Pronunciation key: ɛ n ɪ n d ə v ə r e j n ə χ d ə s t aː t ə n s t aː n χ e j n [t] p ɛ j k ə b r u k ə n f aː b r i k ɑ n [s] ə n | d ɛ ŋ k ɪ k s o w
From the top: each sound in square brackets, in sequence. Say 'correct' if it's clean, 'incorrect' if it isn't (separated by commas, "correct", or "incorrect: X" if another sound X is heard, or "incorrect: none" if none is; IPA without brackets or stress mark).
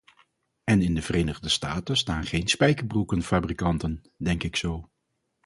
incorrect: s, incorrect: t